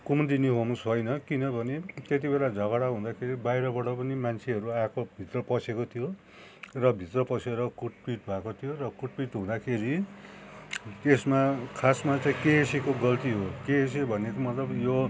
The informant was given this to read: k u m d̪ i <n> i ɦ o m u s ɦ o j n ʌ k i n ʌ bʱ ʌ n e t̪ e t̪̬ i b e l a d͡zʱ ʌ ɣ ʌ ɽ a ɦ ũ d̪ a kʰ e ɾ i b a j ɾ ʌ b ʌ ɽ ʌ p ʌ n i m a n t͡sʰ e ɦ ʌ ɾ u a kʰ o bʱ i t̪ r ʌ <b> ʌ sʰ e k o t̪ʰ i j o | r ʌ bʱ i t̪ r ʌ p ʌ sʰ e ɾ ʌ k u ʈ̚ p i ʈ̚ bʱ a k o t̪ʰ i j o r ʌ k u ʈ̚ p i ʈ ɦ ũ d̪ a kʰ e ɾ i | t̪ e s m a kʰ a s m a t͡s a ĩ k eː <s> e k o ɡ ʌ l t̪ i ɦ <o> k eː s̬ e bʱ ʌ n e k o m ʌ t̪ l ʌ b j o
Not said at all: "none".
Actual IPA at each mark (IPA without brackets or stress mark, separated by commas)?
n, p, s, o